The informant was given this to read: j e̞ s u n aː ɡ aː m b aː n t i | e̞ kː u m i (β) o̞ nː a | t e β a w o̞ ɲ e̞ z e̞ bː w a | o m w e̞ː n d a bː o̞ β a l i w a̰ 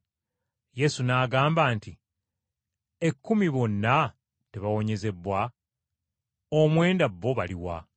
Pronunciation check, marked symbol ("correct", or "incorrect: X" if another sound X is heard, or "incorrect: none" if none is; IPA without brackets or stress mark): correct